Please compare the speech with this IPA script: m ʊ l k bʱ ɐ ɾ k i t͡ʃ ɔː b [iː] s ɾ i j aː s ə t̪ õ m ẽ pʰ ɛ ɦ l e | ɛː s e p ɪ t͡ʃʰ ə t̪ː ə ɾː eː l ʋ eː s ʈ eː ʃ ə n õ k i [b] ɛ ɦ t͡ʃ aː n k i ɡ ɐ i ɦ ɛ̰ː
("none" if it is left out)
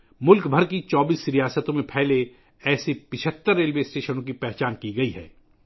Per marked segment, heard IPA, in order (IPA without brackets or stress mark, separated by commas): iː, p